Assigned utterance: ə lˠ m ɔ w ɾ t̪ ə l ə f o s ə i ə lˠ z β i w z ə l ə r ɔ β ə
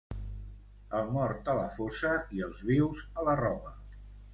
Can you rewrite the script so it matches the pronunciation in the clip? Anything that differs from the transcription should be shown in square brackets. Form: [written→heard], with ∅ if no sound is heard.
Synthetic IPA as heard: ə lˠ m ɔ [w→∅] ɾ t̪ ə l ə f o s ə i ə lˠ z β i w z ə l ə r ɔ β ə